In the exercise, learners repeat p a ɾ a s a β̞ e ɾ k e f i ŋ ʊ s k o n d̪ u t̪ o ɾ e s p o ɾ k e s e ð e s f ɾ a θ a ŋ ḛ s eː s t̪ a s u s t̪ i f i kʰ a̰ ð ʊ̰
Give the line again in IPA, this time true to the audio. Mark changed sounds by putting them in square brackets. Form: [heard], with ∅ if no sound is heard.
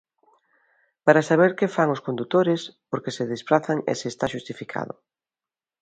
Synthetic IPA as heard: p a ɾ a s a β̞ e ɾ k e f [a] ŋ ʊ s k o n d̪ u t̪ o ɾ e s p o ɾ k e s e ð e s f ɾ a θ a ŋ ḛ s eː s t̪ a [ʃ] u s t̪ i f i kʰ a̰ ð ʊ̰